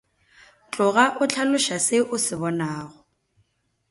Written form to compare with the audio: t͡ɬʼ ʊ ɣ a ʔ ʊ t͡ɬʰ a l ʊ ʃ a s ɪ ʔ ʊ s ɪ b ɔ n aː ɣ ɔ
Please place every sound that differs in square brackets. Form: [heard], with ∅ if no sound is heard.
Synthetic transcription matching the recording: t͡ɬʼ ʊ ɣ a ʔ ʊ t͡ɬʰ a l ʊ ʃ a s ɪ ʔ ʊ s ɪ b ɔ n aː ɣ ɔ